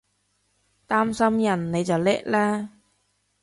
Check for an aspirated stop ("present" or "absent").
absent